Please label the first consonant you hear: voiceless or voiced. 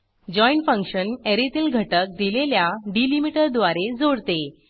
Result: voiced